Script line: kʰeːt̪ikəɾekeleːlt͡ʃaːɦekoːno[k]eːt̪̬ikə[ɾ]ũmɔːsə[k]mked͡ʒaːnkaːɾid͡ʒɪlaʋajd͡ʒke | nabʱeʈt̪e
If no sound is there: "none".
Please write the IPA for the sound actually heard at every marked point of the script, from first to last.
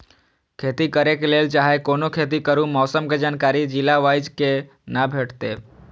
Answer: kʰ, ɾ, none

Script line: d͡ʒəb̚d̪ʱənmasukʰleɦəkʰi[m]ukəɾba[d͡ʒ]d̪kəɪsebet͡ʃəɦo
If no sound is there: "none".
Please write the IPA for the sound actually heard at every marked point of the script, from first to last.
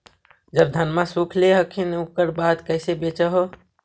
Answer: n, none

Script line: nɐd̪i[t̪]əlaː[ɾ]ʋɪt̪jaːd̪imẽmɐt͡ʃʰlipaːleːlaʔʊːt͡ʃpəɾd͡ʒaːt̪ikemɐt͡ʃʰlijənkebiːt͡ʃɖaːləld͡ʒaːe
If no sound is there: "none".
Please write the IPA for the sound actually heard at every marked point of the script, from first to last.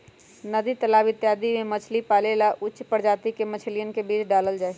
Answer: t̪, none

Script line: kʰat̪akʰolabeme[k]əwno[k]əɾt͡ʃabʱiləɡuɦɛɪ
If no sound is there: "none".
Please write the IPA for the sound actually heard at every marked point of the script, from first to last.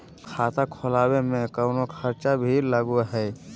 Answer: k, kʰ

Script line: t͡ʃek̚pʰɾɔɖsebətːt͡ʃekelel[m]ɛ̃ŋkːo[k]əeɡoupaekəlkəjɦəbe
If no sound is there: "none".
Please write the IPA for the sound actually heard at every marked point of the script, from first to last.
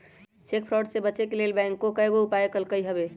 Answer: b, k

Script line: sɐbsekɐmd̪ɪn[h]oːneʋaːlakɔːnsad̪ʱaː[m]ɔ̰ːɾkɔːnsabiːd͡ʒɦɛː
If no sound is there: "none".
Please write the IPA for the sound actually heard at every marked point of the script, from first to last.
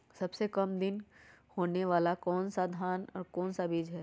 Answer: h, n

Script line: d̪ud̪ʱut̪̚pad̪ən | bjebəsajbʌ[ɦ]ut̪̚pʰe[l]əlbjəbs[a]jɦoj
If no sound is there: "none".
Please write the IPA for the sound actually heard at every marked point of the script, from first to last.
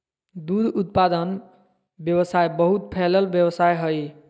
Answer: ɦ, l, a

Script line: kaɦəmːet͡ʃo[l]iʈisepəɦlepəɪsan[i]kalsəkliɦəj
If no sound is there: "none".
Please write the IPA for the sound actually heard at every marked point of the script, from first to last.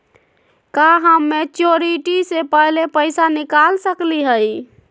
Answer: ɾ, i

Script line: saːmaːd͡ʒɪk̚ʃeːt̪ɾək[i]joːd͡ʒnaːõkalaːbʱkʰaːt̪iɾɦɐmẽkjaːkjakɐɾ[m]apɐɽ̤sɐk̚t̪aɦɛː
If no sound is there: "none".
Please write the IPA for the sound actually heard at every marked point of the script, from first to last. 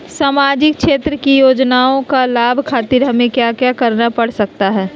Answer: i, n

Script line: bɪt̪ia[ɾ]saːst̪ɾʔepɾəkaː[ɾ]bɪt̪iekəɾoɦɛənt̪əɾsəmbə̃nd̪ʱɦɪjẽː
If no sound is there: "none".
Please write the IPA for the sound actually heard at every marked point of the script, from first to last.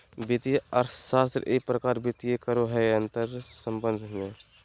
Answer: ɾ, ɾ

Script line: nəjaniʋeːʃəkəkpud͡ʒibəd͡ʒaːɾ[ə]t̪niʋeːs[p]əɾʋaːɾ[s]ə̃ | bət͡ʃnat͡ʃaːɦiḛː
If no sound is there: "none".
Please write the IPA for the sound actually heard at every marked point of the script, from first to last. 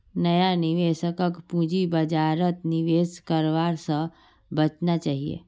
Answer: ə, k, s

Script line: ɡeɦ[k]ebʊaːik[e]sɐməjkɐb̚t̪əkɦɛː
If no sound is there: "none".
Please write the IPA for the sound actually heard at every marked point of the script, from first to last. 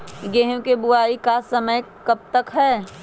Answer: k, a

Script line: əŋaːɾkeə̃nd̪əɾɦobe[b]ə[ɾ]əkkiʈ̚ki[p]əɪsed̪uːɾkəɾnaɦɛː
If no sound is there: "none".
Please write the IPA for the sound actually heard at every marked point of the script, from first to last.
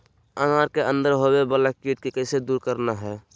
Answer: b, l, k

